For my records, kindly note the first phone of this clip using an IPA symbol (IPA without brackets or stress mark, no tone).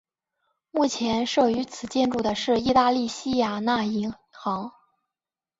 m